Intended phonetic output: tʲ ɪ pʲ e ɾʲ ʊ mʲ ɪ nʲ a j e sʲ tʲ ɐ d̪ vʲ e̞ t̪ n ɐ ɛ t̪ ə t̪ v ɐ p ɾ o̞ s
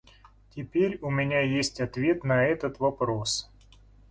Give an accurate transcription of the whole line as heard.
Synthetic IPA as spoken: tʲ ɪ pʲ e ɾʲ ʊ mʲ ɪ nʲ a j e sʲ tʲ ɐ t̪ vʲ e̞ t̪ n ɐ ɛ t̪ ə t̪ v ɐ p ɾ o̞ s